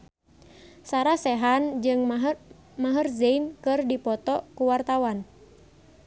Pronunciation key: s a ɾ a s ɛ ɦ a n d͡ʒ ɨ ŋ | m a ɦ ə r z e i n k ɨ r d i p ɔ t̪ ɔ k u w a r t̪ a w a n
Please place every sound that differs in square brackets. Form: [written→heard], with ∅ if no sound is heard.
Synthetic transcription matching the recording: s a ɾ a s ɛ ɦ a n d͡ʒ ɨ ŋ | m a ɦ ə r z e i n k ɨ r d i p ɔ t̪ ɔ k u w a r t̪ a w a n